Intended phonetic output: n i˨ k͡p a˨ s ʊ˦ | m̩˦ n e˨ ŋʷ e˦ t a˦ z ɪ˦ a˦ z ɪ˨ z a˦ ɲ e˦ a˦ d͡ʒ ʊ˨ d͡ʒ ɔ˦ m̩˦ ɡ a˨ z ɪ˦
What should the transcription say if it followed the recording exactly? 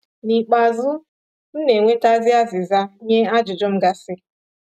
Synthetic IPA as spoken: n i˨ k͡p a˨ z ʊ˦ | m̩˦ n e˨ ŋʷ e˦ t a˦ z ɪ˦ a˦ z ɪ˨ z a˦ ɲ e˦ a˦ d͡ʒ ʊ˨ d͡ʒ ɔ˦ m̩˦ ɡ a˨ s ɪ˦